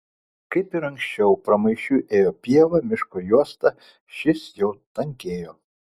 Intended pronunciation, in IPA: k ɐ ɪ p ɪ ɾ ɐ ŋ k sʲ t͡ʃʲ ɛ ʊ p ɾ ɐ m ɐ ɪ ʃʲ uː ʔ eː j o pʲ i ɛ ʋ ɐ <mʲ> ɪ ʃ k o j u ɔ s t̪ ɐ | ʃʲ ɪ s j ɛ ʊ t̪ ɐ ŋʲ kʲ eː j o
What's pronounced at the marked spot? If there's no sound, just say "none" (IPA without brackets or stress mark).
mʲ